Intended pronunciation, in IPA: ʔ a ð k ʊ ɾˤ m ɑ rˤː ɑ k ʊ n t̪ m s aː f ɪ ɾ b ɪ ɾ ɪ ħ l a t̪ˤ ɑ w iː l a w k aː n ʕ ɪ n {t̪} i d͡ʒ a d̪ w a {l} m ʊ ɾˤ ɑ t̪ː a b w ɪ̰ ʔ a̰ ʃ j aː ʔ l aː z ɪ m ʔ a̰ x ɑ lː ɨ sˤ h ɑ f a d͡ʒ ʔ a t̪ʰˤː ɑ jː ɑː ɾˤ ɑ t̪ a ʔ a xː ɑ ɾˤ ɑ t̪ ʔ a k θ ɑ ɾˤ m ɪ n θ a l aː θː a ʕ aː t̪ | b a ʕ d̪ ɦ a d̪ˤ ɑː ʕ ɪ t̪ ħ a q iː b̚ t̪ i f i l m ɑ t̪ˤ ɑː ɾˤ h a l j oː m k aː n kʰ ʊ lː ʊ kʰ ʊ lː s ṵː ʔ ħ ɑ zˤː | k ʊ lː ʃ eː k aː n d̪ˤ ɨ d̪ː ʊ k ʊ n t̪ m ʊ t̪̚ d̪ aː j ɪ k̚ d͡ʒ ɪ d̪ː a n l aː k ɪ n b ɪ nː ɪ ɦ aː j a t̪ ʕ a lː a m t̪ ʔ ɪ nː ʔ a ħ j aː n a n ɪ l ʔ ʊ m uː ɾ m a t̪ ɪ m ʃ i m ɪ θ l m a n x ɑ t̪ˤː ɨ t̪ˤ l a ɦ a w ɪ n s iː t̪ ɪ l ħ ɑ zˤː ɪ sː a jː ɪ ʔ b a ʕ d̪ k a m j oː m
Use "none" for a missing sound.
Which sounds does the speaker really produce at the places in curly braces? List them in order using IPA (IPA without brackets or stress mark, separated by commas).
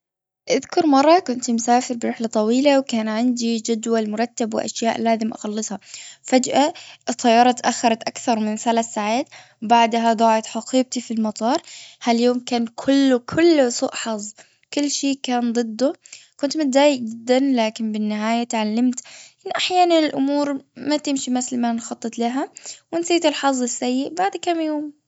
d̪, l